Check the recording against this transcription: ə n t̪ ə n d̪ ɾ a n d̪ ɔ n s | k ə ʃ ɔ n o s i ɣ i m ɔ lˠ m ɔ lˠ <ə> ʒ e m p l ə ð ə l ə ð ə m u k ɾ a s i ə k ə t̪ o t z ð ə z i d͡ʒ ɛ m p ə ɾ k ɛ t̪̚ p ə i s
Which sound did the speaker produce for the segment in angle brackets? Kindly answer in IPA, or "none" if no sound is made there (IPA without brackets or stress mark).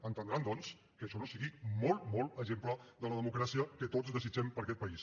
ə